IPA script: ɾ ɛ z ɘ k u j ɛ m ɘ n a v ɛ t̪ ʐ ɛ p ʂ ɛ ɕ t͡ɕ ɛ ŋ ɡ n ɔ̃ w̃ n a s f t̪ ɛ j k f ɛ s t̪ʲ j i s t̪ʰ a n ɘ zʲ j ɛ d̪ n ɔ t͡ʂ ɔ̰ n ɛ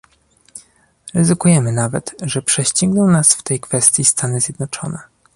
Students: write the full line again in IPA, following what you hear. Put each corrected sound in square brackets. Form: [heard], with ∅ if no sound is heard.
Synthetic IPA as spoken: ɾ ɛ z ɘ k u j ɛ m ɘ n a v ɛ t̪ ʐ ɛ p ʂ ɛ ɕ t͡ɕ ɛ ŋ ɡ n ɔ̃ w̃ n a s f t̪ ɛ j k f ɛ s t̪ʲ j i s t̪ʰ a n ɘ zʲ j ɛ d̪ n ɔ t͡ʂ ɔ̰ n ɛ